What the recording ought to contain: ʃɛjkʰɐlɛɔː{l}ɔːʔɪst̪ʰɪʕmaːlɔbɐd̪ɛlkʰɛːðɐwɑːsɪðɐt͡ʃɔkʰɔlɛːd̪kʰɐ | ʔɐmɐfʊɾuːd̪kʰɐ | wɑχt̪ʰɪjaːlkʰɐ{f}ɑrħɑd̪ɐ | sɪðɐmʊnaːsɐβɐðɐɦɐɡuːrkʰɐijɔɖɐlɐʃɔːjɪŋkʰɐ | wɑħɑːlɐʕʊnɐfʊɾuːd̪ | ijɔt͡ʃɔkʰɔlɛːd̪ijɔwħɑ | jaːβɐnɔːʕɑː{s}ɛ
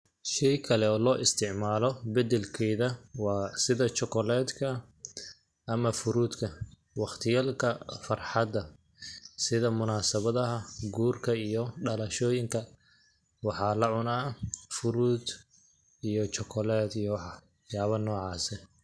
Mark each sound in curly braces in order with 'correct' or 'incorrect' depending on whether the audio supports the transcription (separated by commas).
correct, correct, correct